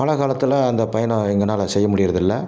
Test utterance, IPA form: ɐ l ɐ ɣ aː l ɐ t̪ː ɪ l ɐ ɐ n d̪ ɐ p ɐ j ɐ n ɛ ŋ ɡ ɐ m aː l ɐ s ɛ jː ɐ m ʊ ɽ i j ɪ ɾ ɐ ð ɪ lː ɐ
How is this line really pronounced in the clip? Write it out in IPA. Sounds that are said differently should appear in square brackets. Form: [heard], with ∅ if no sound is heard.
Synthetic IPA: ɐ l ɐ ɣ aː l ɐ t̪ː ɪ l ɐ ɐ n d̪ ɐ p ɐ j ɐ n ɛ ŋ ɡ ɐ [n] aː l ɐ s ɛ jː ɐ m ʊ ɽ [ɪ] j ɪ ɾ ɐ ð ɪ lː ɐ